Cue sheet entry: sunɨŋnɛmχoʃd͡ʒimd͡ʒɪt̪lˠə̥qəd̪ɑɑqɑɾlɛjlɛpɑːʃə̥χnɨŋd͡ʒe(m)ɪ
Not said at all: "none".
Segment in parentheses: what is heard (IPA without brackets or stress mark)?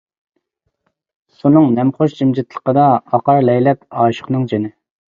n